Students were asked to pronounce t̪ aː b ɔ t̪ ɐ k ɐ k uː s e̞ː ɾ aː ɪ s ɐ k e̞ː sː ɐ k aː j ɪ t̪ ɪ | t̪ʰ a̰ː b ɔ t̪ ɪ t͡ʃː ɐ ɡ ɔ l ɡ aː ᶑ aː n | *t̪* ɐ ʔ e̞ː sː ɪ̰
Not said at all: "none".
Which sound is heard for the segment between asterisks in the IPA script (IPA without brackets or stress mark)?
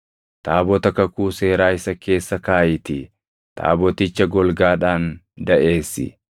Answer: d̪